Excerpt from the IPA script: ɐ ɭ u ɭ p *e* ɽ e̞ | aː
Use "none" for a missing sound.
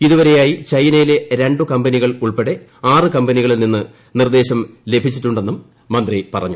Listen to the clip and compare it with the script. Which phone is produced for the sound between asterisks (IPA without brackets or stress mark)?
e